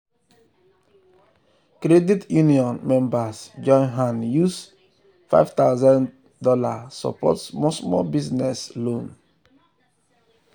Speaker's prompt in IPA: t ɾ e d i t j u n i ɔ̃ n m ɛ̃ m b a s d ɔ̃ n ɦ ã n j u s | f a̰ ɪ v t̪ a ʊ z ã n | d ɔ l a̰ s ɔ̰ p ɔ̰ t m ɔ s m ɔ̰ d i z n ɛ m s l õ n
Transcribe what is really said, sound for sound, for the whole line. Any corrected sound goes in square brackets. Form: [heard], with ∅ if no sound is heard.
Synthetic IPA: [k] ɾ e d i t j u n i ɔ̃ n m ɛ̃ m b a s [d͡ʒ] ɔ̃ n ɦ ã n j u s | f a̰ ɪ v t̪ a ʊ z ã n | d ɔ l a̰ s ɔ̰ p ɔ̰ t m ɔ s m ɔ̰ [b] i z n ɛ [∅] s l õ n